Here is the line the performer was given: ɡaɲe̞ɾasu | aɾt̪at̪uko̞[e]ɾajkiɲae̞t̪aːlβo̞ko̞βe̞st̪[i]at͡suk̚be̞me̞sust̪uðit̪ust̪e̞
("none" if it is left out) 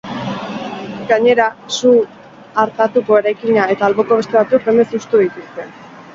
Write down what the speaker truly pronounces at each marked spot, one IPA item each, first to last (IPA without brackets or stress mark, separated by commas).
e, e